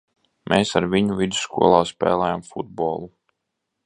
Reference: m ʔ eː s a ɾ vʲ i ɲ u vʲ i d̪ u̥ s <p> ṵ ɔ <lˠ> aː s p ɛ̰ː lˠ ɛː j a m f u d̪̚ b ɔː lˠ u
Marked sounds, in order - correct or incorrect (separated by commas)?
incorrect, correct